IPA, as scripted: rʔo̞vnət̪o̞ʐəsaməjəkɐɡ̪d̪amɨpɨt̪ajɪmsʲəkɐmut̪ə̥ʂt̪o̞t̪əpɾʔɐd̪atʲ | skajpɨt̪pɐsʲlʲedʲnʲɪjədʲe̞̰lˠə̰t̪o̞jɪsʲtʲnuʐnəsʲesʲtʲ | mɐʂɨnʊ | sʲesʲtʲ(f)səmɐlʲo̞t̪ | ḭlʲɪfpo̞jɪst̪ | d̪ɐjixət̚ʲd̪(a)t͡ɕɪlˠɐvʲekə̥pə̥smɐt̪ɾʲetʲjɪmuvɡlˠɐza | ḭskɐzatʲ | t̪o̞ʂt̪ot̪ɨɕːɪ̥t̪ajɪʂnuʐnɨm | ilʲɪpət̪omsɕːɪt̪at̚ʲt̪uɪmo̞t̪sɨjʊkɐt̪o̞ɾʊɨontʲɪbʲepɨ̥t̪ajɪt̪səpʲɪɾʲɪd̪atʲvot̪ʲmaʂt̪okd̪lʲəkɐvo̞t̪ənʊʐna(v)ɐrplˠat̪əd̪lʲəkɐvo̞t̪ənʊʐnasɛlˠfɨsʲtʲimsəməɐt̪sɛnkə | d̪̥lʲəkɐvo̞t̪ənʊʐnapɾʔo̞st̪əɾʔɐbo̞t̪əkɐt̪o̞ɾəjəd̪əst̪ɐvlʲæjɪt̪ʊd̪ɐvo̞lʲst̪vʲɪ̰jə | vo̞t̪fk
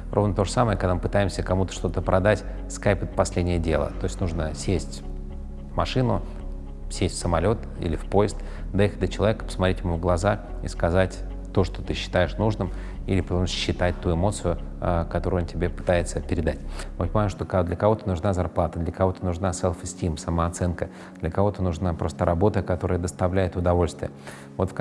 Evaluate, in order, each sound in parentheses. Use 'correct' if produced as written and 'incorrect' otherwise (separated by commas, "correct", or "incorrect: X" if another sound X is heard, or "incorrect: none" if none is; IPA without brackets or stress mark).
correct, incorrect: ə, incorrect: z